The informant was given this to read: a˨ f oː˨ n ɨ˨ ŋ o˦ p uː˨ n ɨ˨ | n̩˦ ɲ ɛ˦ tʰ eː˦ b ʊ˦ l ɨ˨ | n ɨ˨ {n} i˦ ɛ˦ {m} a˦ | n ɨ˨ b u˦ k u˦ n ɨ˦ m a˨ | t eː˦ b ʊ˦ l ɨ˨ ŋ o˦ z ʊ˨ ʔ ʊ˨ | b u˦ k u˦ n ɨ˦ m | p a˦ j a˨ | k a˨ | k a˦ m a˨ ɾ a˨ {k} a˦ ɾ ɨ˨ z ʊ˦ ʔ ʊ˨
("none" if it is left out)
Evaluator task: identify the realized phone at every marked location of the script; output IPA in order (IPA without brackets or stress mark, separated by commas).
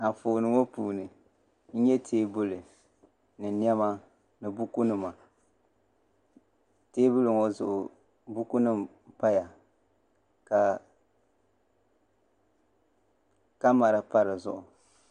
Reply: n, m, p